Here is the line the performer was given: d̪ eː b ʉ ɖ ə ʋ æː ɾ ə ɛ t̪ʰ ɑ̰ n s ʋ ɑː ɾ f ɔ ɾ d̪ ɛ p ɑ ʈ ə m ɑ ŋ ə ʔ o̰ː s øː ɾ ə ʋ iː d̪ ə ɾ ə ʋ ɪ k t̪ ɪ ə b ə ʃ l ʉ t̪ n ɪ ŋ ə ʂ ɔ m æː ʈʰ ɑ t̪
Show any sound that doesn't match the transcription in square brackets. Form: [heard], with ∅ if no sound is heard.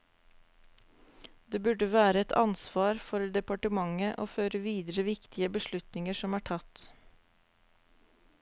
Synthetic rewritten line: d̪ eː b ʉ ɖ ə ʋ æː ɾ ə ɛ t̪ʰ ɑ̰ n s ʋ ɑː ɾ f ɔ ɾ d̪ ɛ p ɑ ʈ ə m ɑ ŋ ə ʔ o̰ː [f] øː ɾ ə ʋ iː d̪ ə ɾ ə ʋ ɪ k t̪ ɪ ə b ə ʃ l ʉ t̪ n ɪ ŋ ə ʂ ɔ m æː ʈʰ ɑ t̪